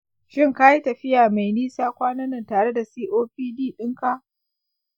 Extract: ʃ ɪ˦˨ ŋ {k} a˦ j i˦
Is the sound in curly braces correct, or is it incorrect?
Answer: correct